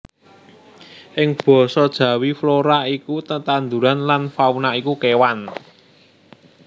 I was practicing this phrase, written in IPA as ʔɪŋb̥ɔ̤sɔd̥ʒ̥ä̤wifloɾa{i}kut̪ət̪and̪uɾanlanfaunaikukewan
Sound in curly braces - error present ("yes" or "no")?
no